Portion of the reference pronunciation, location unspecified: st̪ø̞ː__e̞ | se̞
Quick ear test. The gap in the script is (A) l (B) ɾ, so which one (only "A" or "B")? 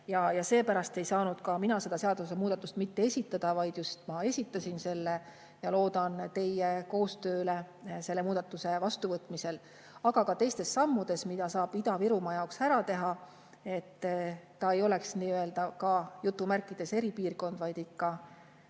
A